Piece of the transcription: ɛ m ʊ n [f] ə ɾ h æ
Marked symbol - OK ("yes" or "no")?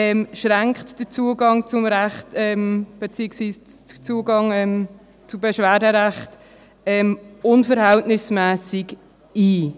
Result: yes